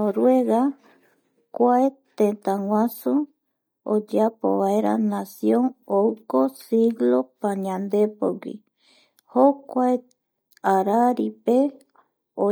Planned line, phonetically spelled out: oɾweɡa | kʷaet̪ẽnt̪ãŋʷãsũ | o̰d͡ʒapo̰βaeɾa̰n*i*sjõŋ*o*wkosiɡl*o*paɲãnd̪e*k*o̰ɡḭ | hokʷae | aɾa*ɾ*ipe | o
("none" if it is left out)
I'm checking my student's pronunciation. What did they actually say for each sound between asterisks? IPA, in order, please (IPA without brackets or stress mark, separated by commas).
a, o, o, p, ɾ